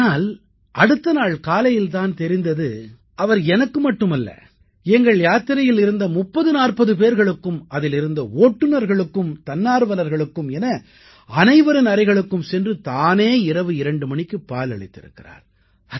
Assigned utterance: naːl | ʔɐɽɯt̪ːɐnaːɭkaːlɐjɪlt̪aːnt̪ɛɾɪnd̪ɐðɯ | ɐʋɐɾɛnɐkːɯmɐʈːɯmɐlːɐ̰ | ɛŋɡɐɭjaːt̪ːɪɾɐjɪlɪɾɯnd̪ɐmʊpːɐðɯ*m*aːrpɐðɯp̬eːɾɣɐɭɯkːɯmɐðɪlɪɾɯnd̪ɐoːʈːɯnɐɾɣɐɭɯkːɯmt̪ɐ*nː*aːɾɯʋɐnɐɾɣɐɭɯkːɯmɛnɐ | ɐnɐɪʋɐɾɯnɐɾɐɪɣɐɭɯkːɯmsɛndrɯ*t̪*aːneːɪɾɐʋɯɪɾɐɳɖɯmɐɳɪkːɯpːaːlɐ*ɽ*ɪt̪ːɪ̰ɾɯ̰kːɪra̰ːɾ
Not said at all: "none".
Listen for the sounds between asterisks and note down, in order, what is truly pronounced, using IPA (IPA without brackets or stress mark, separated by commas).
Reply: n, nː, t̪, ɭ